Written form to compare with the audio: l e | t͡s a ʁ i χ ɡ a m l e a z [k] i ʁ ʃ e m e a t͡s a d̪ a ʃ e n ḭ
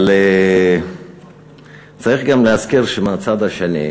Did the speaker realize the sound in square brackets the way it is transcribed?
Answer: yes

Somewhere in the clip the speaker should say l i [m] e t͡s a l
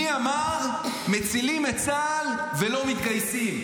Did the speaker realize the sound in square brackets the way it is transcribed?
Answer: yes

